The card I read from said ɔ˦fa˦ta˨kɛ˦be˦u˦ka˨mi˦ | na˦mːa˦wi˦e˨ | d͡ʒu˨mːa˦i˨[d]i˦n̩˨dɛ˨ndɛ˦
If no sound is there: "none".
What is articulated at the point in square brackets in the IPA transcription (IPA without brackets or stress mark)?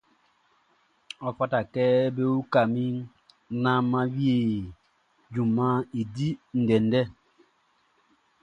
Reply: d